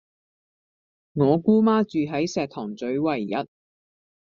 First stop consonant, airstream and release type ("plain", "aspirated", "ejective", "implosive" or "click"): plain